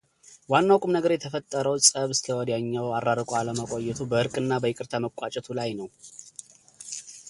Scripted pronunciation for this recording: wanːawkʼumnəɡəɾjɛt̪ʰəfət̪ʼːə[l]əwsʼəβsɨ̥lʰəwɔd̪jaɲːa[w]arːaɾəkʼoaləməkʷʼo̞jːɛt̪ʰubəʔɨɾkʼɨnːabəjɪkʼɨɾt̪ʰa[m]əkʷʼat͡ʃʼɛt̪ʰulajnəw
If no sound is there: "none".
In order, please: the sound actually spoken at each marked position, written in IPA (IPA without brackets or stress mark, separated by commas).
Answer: ɾ, w, m